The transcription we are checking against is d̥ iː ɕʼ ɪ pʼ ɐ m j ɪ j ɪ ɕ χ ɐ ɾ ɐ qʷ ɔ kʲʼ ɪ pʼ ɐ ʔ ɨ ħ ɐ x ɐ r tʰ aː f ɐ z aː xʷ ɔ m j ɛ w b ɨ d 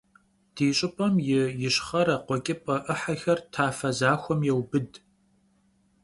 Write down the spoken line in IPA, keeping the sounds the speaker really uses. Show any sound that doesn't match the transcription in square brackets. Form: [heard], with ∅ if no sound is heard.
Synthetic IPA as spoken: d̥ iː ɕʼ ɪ pʼ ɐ m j ɪ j ɪ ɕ χ ɐ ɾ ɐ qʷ ɔ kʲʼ ɪ pʼ ɐ ʔ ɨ ħ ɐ x ɐ r tʰ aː f ɐ z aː xʷ ɔ m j ɛ w b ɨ d

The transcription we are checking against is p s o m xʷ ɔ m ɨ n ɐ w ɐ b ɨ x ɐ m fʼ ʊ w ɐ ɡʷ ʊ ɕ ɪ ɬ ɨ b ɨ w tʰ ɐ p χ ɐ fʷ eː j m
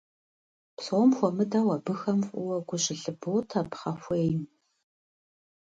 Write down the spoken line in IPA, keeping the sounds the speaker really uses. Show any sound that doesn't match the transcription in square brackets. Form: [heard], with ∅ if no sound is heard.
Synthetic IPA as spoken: p s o m xʷ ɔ m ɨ [d] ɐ w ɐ b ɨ x ɐ m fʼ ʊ w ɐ ɡʷ ʊ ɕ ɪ ɬ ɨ b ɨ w tʰ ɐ p χ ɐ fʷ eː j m

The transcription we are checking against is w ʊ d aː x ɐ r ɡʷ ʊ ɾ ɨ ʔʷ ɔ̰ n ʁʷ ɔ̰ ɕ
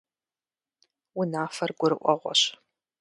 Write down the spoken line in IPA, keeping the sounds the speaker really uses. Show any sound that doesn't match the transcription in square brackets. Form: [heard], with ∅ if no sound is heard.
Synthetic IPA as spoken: w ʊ [n] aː [f] ɐ r ɡʷ ʊ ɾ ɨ ʔʷ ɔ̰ [∅] ʁʷ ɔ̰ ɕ

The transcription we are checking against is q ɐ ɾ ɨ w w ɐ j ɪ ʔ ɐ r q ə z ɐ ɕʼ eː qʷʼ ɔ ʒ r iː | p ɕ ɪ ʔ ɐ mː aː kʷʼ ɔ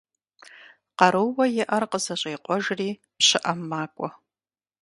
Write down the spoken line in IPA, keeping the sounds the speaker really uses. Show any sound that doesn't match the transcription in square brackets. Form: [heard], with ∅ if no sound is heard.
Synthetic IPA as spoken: q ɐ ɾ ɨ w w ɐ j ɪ ʔ ɐ r q ə z ɐ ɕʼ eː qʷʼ ɔ ʒ r iː | p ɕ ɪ ʔ ɐ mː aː kʷʼ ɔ

